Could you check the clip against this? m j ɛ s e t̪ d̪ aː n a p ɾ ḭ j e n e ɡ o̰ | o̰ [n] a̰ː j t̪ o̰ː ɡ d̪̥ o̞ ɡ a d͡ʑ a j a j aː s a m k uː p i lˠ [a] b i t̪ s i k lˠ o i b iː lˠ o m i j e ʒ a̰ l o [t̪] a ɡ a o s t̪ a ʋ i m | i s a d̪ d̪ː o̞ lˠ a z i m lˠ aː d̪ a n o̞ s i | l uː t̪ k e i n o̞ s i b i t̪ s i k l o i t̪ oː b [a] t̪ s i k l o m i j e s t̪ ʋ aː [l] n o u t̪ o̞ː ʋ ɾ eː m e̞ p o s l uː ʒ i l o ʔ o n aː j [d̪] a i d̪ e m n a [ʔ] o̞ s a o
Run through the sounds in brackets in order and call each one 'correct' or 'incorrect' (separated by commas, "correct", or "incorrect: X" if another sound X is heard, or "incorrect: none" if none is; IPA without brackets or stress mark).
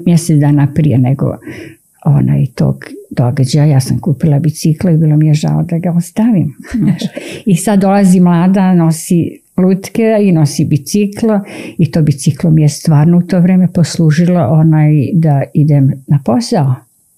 correct, correct, incorrect: d̪, incorrect: i, incorrect: ɾ, correct, incorrect: p